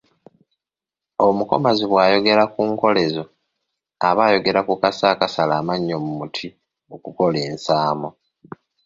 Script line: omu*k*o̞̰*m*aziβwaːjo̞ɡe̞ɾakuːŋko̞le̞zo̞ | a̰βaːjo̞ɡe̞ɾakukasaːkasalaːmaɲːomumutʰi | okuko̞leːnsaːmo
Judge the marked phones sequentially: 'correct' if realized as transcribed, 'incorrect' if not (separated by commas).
correct, correct